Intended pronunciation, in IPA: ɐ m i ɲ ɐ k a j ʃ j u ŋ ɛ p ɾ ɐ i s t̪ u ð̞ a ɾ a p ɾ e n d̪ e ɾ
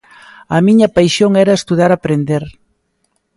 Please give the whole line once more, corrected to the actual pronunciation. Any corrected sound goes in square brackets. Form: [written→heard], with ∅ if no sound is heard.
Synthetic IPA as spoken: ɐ m i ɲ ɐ [k→p] a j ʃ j [u→o] ŋ ɛ [p→∅] ɾ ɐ [i→e] s t̪ u ð̞ a ɾ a p ɾ e n d̪ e ɾ